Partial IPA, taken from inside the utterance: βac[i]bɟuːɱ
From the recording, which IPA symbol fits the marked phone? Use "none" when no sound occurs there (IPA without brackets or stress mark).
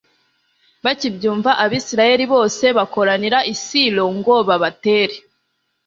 i